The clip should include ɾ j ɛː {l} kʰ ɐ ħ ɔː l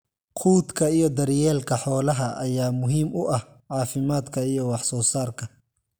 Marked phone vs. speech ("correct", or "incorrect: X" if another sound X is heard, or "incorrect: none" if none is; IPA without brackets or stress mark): correct